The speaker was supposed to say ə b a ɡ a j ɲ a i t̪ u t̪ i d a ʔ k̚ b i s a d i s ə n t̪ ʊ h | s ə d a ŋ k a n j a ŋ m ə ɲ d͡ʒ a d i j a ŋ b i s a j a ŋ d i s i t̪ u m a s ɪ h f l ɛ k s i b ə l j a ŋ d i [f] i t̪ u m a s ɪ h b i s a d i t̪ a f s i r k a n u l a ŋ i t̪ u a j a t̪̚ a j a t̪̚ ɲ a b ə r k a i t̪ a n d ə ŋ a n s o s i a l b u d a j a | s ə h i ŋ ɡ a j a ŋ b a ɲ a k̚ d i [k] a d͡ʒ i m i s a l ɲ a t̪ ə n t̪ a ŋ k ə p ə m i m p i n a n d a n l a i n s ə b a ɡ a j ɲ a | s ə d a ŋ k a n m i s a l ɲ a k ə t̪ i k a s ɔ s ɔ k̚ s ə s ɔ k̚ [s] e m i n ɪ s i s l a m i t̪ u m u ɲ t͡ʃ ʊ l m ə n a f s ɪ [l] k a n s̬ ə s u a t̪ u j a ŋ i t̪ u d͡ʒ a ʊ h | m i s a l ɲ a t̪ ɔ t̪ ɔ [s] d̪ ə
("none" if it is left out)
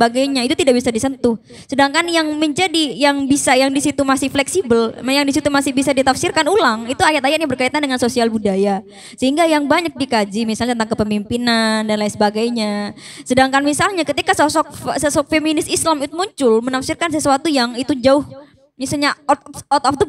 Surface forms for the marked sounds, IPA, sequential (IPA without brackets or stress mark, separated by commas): s, k, f, r, f